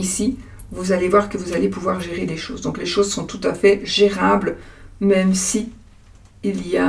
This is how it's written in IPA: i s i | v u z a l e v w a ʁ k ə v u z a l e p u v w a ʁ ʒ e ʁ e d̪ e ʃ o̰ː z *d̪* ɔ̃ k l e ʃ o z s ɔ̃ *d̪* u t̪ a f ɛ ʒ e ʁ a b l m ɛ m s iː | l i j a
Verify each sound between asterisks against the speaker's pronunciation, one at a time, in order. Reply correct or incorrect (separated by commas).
correct, incorrect